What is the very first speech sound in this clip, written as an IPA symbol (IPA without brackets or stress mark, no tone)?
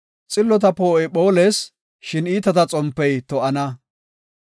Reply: t͡sʼ